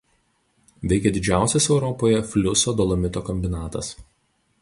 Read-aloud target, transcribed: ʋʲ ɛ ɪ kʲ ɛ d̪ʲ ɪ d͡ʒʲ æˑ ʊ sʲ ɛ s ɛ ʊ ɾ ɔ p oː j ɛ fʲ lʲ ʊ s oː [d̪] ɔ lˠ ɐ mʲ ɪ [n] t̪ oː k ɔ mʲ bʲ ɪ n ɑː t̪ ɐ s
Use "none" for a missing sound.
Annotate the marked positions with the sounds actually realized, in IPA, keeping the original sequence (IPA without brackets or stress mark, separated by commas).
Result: d̪, none